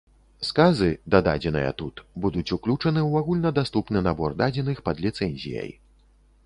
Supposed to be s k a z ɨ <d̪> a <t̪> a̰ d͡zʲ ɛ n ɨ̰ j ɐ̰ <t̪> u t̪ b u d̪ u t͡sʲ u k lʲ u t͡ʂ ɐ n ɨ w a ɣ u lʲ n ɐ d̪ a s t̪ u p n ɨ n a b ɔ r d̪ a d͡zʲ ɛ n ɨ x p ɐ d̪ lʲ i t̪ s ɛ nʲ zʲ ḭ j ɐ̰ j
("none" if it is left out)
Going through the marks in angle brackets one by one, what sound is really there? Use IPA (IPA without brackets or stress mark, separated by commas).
d̪, d̪, t̪